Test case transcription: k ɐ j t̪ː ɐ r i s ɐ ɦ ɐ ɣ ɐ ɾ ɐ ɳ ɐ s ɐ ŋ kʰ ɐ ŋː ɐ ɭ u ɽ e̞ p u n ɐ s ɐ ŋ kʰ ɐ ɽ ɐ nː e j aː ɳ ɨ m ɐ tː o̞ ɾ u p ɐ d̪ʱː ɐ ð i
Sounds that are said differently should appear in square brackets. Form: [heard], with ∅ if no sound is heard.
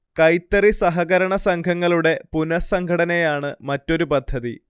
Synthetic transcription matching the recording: k ɐ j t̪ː ɐ r i s ɐ ɦ ɐ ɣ ɐ ɾ ɐ ɳ ɐ s ɐ ŋ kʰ ɐ ŋː ɐ ɭ u ɽ e̞ p u n ɐ s ɐ ŋ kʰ ɐ ɽ ɐ [n] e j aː ɳ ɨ m ɐ tː o̞ ɾ u p ɐ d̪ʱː ɐ ð i